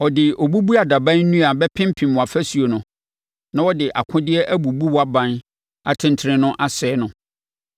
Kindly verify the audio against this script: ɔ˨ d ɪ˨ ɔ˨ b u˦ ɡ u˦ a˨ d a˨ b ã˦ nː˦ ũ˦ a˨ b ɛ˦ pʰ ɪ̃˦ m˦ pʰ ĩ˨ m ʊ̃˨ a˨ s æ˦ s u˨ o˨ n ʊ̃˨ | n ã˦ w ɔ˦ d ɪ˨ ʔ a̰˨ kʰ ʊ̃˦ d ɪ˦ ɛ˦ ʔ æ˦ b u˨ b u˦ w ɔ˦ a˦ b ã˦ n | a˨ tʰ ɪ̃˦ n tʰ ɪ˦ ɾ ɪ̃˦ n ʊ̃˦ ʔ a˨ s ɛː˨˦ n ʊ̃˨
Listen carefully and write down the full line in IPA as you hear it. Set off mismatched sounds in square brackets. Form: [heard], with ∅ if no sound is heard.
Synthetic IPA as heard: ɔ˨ d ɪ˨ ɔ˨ b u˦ [b] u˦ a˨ d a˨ b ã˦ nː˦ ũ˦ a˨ b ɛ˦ pʰ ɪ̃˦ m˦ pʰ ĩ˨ m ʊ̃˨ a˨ [f] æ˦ s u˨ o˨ n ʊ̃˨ | n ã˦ w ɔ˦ d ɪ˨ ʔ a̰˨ kʰ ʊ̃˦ d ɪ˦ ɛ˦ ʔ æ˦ b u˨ b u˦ w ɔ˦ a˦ b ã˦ n | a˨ tʰ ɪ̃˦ n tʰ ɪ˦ ɾ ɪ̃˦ n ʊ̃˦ ʔ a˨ s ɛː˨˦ n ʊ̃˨